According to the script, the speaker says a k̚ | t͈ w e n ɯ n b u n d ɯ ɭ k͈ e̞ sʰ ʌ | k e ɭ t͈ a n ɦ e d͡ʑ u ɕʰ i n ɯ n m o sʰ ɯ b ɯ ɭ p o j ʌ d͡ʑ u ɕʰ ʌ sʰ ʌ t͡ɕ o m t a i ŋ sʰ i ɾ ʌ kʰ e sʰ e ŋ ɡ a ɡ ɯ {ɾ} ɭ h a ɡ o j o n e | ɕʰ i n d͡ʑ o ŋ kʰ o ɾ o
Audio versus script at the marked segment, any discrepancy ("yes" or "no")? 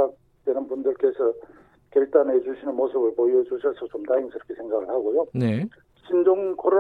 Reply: yes